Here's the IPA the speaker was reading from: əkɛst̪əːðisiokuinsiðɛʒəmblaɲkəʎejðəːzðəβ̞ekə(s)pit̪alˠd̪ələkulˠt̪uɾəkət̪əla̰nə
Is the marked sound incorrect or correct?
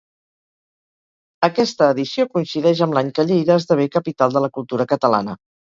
incorrect